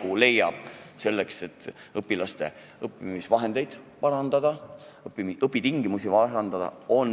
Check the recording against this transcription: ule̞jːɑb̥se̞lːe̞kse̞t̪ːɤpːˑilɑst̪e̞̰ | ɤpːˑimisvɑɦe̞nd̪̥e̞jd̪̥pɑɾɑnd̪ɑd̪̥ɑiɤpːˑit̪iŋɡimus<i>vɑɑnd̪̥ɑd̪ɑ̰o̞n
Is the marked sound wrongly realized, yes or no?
no